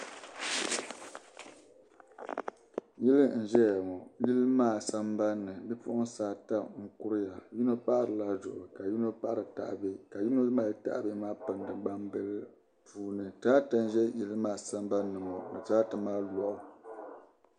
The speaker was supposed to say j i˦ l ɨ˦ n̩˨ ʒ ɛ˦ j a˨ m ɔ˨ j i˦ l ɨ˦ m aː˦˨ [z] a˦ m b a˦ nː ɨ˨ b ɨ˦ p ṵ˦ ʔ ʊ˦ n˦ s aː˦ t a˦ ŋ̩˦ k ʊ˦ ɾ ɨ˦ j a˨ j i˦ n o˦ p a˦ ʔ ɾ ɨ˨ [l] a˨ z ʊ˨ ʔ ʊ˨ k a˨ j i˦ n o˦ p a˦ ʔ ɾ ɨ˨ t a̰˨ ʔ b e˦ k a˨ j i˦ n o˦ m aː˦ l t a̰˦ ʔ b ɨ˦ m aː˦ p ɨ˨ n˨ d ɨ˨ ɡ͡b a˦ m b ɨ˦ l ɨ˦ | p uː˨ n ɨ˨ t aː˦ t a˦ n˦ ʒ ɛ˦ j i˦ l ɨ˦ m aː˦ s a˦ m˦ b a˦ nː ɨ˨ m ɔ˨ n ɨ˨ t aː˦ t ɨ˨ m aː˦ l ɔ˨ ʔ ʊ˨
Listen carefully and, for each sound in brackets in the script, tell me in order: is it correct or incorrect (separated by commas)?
incorrect, correct